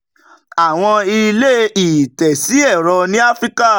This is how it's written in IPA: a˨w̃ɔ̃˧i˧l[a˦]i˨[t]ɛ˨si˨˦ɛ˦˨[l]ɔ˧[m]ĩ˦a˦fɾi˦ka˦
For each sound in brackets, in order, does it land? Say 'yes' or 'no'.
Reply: no, yes, no, no

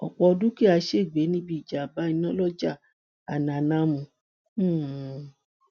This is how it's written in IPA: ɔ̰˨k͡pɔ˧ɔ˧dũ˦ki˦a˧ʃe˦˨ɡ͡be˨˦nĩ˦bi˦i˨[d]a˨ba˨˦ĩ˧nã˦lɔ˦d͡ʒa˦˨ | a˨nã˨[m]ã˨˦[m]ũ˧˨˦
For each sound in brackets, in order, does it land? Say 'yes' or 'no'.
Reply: no, no, yes

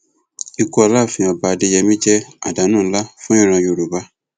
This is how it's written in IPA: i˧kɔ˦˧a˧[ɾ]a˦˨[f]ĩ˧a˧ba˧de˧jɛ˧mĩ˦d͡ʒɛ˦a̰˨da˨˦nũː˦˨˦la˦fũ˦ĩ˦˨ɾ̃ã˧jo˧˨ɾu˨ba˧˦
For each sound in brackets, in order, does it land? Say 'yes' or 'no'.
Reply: no, yes

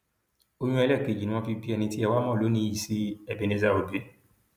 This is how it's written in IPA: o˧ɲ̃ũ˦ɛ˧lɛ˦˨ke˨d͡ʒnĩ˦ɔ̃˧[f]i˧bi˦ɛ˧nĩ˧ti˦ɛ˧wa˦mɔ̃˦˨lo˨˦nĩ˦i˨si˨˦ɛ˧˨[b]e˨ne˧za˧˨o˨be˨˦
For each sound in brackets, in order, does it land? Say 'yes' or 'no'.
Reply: yes, yes

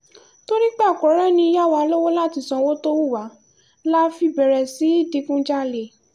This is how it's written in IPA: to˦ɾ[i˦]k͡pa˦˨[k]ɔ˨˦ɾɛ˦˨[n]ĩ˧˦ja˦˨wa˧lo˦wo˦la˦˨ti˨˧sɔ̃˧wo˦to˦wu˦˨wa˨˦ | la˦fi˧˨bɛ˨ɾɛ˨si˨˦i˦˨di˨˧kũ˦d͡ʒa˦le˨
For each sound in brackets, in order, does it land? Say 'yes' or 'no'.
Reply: yes, yes, yes

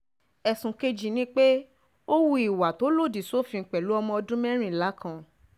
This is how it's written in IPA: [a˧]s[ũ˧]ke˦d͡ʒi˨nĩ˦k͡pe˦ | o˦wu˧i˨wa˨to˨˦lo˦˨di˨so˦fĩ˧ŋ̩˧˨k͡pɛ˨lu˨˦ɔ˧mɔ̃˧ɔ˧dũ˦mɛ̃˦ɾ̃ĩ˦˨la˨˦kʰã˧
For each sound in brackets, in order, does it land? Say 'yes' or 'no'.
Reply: no, yes

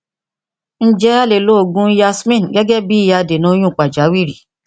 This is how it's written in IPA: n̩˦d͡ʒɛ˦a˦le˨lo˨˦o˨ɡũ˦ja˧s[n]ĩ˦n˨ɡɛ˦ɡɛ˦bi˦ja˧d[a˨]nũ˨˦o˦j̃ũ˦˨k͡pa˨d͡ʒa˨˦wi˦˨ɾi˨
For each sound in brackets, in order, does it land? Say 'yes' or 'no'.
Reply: no, no

